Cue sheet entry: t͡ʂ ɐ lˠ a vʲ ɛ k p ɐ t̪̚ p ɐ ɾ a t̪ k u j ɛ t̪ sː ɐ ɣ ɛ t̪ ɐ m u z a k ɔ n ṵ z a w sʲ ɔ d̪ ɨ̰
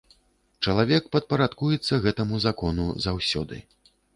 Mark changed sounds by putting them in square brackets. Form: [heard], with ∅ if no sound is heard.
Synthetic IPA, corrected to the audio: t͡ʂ ɐ lˠ a vʲ ɛ k p ɐ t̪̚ p ɐ ɾ a t̪ k u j ɛ t̪ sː ɐ ɣ ɛ t̪ ɐ m u z a k ɔ n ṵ z a w sʲ ɔ d̪ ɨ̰